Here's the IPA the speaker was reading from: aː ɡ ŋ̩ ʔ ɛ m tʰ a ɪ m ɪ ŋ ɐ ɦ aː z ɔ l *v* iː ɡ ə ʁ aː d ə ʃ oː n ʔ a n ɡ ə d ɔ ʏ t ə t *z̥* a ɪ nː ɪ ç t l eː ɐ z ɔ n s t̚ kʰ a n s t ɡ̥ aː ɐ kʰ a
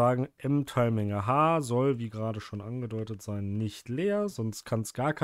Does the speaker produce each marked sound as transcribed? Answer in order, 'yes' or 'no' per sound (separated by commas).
yes, yes